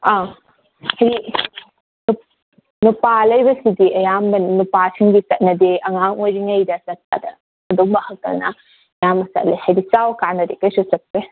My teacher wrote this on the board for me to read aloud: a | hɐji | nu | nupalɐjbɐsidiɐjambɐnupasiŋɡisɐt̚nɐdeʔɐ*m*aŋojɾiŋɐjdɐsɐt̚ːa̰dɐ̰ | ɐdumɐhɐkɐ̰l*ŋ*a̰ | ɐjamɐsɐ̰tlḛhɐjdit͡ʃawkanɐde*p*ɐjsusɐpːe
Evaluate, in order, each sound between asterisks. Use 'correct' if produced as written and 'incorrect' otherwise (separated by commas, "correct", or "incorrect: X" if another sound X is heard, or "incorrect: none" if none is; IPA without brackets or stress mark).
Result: incorrect: ŋ, incorrect: n, incorrect: k